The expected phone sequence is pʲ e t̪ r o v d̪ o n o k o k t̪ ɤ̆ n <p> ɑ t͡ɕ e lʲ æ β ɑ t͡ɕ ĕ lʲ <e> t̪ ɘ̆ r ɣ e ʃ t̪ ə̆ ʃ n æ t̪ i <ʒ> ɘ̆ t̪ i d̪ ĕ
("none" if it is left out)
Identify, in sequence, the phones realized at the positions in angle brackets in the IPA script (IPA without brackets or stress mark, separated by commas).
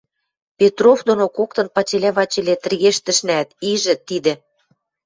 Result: p, e, ʒ